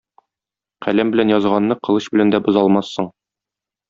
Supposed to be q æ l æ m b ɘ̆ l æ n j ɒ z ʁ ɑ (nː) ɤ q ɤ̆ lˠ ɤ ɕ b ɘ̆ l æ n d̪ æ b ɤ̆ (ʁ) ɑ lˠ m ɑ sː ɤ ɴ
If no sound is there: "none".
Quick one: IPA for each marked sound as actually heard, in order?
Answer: nː, z

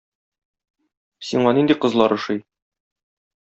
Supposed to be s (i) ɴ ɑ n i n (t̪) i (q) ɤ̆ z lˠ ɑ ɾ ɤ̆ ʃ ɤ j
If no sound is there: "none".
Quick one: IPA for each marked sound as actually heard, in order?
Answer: i, d̪, q

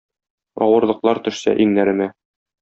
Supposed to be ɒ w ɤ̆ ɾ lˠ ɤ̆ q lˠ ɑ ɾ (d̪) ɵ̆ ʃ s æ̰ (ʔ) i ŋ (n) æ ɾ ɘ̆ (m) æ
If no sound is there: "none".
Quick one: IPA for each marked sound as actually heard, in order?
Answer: t̪, ʔ, n, m

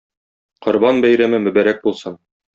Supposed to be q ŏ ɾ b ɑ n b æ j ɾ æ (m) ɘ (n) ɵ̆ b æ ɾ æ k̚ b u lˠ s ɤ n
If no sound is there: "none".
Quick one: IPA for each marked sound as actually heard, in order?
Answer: m, m

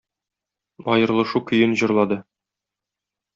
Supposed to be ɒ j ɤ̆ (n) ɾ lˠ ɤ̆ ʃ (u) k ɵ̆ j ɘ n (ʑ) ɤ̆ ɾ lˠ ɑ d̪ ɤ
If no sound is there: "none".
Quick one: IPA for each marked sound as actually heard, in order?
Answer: none, u, ʑ

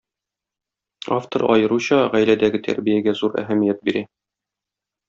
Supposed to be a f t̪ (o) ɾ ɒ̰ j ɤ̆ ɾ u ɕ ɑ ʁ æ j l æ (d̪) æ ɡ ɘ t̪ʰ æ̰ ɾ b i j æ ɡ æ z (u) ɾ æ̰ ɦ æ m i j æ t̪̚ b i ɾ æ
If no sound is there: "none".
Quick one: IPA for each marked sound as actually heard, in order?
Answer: o, d̪, u

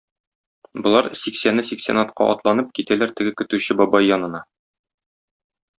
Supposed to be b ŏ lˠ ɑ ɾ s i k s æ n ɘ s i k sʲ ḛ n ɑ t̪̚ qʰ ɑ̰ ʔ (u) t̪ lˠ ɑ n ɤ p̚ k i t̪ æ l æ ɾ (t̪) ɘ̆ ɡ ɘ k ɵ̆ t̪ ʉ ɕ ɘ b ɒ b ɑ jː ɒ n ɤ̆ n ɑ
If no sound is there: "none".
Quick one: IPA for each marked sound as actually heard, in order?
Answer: ɒ, t̪

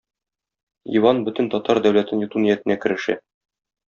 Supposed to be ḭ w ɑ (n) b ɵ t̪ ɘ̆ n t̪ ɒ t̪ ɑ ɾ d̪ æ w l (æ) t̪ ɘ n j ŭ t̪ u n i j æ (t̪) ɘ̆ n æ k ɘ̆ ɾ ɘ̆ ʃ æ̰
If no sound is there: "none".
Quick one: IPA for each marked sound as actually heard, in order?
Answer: n, æ, t̪

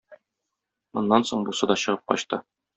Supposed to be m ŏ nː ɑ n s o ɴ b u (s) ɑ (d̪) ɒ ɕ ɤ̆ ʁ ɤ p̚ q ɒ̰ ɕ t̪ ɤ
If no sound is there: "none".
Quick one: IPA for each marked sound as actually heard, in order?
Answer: s, d̪

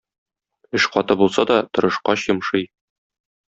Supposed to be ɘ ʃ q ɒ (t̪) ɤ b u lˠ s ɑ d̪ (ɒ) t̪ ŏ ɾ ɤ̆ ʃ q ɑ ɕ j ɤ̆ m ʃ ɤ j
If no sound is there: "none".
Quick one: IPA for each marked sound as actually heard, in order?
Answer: t̪, ɒ

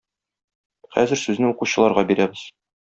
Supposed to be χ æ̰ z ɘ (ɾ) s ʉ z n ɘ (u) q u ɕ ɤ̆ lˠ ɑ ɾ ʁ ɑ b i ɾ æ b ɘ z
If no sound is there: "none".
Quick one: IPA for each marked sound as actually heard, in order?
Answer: ɾ, u

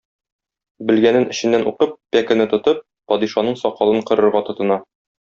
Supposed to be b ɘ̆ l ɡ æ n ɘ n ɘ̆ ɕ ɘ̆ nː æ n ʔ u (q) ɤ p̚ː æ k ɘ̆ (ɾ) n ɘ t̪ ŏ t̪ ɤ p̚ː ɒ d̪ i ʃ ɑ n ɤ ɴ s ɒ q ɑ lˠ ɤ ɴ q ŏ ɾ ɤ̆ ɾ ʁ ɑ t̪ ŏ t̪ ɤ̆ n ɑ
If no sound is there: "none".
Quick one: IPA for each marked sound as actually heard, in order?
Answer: q, none

